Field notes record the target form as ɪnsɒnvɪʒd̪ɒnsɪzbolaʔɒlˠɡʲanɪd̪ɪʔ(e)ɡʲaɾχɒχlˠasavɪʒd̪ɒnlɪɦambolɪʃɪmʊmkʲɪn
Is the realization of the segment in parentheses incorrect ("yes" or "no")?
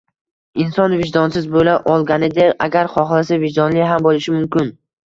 yes